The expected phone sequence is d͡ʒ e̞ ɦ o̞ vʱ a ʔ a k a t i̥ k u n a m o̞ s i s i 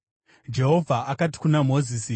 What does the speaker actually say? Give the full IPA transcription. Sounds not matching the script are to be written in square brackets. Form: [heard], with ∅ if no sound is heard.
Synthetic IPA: d͡ʒ e̞ ɦ o̞ vʱ a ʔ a k a t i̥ k u n a m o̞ [z] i s i